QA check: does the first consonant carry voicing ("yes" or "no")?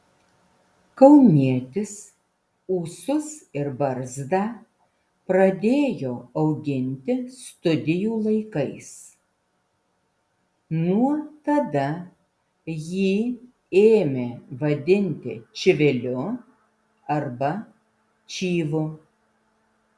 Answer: no